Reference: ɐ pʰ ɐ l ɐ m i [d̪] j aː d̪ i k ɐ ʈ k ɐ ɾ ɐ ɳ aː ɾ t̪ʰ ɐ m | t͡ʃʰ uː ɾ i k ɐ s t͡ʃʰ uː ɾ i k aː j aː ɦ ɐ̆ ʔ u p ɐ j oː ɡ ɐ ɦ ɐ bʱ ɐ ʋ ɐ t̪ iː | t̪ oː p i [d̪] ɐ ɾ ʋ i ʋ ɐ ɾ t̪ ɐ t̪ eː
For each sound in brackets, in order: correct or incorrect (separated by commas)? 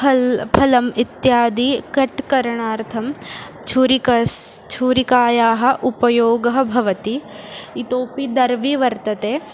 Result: incorrect, correct